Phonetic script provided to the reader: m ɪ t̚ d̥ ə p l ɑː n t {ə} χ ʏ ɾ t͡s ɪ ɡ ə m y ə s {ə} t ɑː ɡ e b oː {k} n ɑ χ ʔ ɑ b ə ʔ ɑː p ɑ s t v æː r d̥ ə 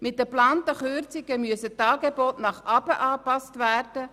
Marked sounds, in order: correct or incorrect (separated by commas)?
correct, correct, incorrect